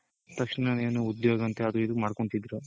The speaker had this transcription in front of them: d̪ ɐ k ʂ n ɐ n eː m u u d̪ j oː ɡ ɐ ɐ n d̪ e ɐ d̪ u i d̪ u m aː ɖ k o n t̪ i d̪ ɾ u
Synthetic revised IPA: t̪ ɐ k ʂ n ɐ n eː n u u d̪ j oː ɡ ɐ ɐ n t̪ e ɐ d̪ u i d̪ u m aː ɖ k o ɳ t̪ i d̪ ɾ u

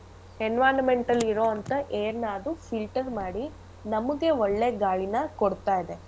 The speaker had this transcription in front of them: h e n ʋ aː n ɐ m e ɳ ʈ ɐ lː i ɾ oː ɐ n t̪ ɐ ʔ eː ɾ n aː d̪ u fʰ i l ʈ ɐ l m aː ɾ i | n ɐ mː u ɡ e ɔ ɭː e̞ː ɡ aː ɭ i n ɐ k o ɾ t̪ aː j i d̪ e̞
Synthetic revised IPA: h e n ʋ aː n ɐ m e ɳ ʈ ɐ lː i ɾ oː ɐ n t̪ ɐ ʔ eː ɾ n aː d̪ u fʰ i l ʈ ɐ ɾ m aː ɽ i | n ɐ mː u ɡ e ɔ ɭː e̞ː ɡ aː ɭ i n ɐ k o ɽ t̪ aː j i d̪ e̞

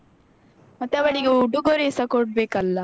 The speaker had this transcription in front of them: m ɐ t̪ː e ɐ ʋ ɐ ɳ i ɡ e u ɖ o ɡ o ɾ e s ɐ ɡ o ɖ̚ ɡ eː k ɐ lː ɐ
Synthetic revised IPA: m ɐ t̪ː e ɐ ʋ ɐ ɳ i ɡ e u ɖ u ɡ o ɾ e s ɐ k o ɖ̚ b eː k ɐ lː ɐ

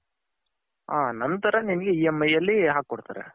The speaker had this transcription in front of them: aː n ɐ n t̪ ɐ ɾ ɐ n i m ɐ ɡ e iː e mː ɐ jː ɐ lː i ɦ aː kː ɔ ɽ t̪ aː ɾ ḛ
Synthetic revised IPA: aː n ɐ n t̪ ɐ ɾ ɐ n i n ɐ ɡ e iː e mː ɐ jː ɐ lː i ɦ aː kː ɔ ɽ t̪ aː ɾ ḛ

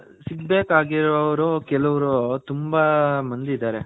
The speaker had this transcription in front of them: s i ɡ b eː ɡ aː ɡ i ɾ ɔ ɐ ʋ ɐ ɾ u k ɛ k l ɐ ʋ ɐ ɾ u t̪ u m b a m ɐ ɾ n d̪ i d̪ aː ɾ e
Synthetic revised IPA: s i ɡ b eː k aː ɡ i ɾ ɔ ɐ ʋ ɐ ɾ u k ɛ l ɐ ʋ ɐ ɾ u t̪ u m b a m ɐ n d̪ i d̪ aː ɾ e

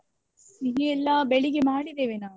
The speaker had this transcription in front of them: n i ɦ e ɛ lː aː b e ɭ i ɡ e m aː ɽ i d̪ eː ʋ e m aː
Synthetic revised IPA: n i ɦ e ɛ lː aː b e ɭ i ɡ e m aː ɽ i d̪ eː ʋ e n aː

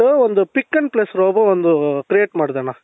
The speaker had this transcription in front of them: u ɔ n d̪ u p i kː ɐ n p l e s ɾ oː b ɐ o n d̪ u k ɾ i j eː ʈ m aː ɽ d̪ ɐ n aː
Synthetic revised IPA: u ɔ n d̪ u p i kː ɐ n p l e s ɾ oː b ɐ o n d̪ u k ɾ i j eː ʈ m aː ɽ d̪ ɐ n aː

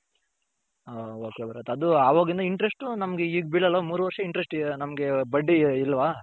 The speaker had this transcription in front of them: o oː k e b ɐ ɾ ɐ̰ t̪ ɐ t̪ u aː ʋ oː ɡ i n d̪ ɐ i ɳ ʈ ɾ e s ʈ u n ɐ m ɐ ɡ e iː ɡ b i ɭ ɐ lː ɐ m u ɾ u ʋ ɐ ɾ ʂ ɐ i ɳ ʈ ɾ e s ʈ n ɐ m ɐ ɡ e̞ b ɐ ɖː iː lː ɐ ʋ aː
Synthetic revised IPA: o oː k e b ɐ ɾ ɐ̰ t̪ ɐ d̪ u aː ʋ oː ɡ i n d̪ ɐ i ɳ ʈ ɾ e s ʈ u n ɐ m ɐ ɡ e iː ɡ b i ɭ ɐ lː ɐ m uː ɾ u ʋ ɐ ɾ ʂ ɐ i ɳ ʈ ɾ e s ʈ n ɐ m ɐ ɡ e̞ b ɐ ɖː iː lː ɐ ʋ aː

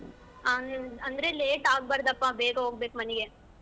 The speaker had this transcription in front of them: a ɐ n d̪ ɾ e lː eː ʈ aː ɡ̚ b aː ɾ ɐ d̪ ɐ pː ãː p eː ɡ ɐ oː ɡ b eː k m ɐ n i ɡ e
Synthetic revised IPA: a ɐ n d̪ ɾ e l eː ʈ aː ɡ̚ b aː ɾ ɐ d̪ ɐ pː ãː b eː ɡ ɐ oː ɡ b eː k m ɐ n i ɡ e

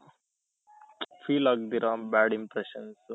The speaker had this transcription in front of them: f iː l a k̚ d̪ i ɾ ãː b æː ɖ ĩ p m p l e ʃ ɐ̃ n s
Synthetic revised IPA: f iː l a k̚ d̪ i ɾ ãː b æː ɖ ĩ m p ɾ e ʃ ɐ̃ n s

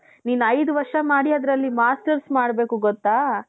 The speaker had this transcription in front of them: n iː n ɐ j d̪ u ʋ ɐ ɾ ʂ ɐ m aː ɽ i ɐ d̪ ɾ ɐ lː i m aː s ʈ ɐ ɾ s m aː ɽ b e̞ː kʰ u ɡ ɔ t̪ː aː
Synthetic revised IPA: n iː n ɐ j d̪ u ʋ ɐ ɾ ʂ ɐ m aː ɽ i ɐ d̪ ɾ ɐ lː i m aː s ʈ ɐ ɾ s m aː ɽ b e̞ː k u ɡ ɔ t̪ː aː

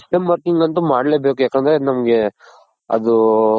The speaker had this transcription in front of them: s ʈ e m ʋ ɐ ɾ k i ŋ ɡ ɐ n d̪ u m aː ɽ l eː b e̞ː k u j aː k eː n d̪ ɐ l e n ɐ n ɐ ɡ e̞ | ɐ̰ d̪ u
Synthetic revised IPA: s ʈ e m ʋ ɐ ɾ k i ŋ ɡ ɐ n t̪ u m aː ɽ l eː b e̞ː k u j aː k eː n d̪ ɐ ɾ e n ɐ m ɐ ɡ e̞ | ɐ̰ d̪ u

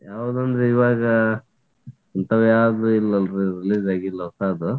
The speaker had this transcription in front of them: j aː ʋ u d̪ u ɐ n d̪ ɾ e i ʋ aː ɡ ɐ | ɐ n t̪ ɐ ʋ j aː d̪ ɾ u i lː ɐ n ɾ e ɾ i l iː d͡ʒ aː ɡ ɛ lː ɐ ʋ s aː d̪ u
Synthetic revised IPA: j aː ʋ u d̪ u ɐ n d̪ ɾ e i ʋ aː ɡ ɐ | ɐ n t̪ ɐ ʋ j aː d̪ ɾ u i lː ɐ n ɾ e ɾ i l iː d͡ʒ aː ɡ i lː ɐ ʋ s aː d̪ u

